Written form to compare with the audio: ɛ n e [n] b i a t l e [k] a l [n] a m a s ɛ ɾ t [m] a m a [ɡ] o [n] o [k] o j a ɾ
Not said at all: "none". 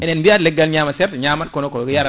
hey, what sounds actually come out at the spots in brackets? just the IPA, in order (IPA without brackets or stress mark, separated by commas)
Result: n, ɡ, ɲ, ɲ, k, n, k